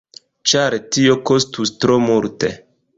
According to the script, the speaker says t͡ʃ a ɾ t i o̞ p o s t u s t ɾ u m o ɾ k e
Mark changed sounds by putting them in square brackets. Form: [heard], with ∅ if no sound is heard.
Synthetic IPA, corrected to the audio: t͡ʃ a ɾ t i o̞ [k] o s t u s t ɾ [o] m [u] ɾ [t] e